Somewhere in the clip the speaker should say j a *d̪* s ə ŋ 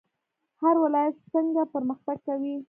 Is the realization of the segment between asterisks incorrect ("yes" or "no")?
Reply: yes